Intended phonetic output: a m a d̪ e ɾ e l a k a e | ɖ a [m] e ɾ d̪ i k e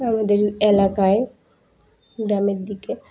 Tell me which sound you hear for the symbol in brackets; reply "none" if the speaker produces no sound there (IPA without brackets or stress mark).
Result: m